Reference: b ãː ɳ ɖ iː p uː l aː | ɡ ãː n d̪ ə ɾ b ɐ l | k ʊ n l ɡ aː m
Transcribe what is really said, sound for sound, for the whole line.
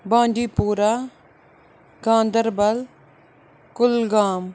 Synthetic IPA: b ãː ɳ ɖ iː p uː ɾ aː | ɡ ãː n d̪ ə ɾ b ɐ l | k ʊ l ɡ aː m